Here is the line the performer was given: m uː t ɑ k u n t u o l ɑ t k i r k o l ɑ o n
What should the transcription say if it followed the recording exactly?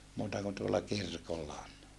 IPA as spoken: m uː t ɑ k u n t u o lː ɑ k i r k o lː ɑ o n